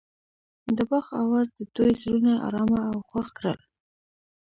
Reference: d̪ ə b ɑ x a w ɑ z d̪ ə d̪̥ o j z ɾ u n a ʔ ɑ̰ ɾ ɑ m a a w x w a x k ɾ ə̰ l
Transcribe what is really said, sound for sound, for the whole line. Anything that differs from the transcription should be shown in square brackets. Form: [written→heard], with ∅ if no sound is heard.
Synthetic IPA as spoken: d̪ ə b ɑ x a w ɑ z d̪ ə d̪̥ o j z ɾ u n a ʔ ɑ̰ ɾ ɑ m a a w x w a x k ɾ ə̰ l